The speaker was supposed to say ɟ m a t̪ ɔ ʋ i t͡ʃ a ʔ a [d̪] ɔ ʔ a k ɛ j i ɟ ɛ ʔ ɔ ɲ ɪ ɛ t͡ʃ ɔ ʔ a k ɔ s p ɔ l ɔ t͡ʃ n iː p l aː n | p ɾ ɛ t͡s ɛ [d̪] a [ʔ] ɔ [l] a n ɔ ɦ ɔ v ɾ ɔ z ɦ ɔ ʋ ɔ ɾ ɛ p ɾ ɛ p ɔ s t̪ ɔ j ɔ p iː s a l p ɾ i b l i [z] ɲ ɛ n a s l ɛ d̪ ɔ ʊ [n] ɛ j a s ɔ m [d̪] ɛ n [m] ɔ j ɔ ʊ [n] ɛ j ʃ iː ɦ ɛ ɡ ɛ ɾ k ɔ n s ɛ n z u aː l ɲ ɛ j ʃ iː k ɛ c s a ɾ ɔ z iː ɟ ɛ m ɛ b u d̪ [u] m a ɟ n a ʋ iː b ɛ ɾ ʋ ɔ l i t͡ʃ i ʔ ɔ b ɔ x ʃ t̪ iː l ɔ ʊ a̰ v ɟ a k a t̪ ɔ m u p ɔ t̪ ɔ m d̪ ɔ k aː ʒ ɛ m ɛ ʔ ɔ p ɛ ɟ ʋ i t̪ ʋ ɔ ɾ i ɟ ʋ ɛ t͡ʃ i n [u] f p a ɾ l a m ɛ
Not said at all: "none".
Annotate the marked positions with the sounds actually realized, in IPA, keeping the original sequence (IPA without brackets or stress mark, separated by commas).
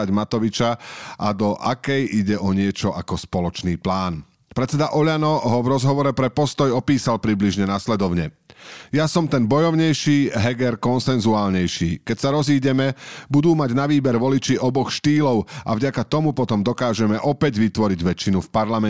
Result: d̪, d̪, ʔ, ʎ, ʒ, ɲ, t̪, b, ɲ, uː, u